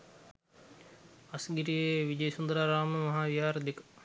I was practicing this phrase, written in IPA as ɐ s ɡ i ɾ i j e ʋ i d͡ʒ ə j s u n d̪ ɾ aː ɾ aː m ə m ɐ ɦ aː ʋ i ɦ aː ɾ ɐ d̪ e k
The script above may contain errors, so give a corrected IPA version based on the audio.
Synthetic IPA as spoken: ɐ s ɡ i ɾ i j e ʋ i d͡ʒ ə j s u n d̪ ɾ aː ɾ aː m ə m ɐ ɦ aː ʋ i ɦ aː ɾ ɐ d̪ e k